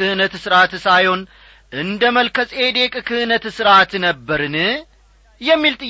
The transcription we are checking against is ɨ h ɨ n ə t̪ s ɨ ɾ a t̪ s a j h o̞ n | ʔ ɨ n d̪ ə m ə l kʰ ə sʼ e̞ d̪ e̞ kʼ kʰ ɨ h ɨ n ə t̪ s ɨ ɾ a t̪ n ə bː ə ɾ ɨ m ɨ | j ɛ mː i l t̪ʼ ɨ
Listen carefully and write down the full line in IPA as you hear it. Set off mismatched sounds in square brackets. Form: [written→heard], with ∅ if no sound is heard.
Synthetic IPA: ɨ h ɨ n ə t̪ s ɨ ɾ a t̪ s a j h o̞ n | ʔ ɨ n d̪ ə m ə l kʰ ə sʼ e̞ d̪ e̞ kʼ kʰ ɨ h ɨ n ə t̪ s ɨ ɾ a t̪ n ə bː ə ɾ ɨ [m→n] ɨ | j ɛ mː i l t̪ʼ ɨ